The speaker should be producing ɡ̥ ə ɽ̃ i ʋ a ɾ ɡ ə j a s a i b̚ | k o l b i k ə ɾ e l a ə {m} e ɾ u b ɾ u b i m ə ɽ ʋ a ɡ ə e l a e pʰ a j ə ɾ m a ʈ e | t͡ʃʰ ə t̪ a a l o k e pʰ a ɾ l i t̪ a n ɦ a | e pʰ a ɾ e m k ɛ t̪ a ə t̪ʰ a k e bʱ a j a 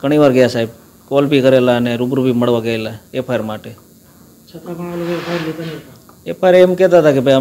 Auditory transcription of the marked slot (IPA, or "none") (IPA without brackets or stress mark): n